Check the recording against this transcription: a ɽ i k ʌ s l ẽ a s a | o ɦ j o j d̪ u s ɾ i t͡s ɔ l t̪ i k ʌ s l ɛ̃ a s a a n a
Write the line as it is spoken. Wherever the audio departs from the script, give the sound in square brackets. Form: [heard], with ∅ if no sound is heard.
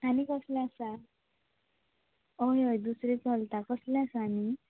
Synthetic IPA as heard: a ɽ i k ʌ s l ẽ a s a | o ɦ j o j d̪ u s ɾ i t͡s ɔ l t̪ [a] k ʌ s l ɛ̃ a s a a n [i]